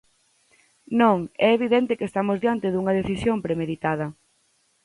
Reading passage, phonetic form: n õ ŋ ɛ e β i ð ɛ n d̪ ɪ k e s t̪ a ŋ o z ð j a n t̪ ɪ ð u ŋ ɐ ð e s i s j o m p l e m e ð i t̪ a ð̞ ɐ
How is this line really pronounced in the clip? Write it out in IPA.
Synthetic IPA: n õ ŋ ɛ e β i ð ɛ n t̪ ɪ k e s t̪ a m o z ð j a n t̪ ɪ ð u ŋ ɐ ð e θ i s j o m p ɾ e m e ð i t̪ a ð̞ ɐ